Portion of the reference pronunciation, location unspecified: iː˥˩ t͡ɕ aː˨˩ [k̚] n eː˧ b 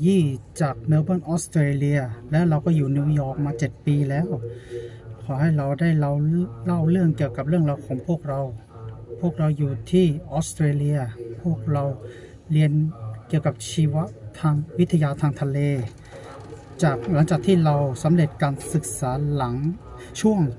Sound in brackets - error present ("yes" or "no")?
no